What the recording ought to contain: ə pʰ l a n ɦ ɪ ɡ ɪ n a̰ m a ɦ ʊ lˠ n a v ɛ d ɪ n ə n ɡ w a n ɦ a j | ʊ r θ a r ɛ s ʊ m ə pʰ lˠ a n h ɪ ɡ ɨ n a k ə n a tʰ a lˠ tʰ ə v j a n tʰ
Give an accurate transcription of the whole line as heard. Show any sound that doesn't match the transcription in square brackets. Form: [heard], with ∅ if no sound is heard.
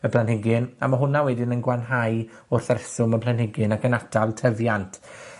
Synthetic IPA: ə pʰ l a n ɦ ɪ ɡ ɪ n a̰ m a ɦ ʊ [∅] n a [w] ɛ d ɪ n ə n ɡ w a n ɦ a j | ʊ r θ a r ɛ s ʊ m ə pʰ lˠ a n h ɪ ɡ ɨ n a k ə n a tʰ a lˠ tʰ ə v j a n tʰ